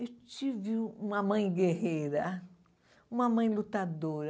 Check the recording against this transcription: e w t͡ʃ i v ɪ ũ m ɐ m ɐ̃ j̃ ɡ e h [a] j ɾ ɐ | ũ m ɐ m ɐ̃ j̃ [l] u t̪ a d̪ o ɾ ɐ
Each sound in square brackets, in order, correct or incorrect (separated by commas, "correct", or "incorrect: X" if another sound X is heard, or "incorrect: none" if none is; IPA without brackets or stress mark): incorrect: e, correct